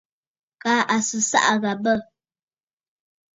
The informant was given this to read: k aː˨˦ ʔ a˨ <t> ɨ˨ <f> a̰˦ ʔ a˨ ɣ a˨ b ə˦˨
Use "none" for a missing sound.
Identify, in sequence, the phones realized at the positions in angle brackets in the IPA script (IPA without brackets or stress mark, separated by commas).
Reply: s, s